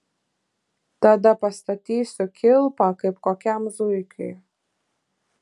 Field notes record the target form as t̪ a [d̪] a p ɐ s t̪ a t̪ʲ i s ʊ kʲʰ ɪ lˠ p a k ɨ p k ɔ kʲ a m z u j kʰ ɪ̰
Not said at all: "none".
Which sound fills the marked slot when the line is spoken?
d̪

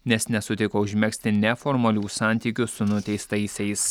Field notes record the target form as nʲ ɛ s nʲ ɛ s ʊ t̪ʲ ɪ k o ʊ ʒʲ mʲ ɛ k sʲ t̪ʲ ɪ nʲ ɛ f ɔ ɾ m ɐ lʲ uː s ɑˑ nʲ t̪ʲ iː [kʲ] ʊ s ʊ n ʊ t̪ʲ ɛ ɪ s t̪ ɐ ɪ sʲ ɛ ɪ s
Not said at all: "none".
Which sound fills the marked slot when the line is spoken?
kʲ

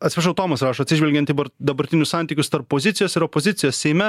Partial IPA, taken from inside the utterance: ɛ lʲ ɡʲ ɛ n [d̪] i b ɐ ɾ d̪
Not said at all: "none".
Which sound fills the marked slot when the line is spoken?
t̪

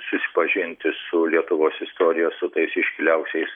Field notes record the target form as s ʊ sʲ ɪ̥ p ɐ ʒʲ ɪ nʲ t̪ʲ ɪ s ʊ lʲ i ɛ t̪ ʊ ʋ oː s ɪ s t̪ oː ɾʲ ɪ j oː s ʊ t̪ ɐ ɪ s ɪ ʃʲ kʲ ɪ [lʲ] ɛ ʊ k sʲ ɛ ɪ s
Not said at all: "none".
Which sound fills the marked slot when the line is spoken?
lʲ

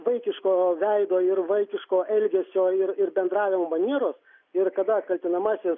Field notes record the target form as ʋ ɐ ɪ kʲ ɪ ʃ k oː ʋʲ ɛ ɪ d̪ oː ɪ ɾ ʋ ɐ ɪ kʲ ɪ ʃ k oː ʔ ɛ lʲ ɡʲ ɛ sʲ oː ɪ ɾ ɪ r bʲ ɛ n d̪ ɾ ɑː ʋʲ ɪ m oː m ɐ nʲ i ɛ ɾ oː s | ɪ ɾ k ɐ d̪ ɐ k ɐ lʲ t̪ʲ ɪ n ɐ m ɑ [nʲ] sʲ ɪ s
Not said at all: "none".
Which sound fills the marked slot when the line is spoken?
none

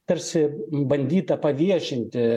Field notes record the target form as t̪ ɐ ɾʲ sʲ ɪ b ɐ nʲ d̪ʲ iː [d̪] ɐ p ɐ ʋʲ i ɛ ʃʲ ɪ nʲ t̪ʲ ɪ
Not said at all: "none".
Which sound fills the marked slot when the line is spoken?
t̪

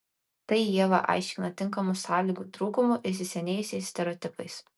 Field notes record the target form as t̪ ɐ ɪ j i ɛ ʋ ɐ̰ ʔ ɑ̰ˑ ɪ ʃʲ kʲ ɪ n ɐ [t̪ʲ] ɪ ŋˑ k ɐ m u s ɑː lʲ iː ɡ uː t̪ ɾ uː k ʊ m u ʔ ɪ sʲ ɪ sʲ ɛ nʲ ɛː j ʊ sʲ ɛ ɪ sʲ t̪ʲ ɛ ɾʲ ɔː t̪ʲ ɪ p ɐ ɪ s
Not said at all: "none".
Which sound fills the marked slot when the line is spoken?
t̪ʲ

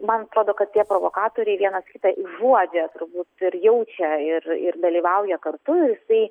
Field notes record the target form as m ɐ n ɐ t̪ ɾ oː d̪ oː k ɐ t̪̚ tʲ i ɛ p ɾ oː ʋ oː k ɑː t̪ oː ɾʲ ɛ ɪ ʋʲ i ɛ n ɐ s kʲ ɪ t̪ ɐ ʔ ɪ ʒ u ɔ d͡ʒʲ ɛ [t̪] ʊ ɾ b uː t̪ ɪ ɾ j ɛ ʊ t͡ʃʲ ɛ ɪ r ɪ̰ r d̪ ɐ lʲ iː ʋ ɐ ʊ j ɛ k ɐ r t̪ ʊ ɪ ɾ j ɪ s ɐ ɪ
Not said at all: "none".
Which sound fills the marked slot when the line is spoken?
t̪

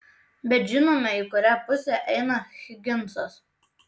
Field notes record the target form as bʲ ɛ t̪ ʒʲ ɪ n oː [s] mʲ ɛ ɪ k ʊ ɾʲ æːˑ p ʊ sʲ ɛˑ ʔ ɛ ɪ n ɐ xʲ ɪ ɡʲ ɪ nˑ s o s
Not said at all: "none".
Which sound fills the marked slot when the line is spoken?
none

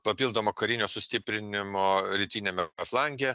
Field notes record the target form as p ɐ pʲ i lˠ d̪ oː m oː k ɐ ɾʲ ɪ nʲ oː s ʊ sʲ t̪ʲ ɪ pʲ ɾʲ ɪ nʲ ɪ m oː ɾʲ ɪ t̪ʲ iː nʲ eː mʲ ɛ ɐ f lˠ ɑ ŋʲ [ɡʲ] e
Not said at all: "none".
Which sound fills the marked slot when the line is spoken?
ɡʲ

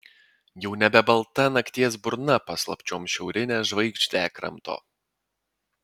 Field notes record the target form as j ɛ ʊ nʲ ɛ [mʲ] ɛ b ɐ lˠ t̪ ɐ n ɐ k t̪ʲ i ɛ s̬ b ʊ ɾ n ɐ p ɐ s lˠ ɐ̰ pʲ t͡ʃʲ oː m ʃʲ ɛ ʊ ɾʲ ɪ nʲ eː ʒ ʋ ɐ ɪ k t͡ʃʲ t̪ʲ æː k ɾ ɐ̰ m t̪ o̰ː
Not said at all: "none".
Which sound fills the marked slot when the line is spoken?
bʲ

